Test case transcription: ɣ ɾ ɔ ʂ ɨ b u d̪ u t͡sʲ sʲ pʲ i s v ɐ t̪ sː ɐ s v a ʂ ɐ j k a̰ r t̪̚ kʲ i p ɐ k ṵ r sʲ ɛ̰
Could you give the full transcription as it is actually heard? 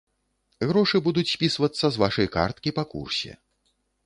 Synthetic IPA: ɣ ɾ ɔ ʂ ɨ b u d̪ u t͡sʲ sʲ pʲ i s v ɐ t̪ sː ɐ z v a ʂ ɐ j k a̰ r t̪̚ kʲ i p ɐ k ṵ r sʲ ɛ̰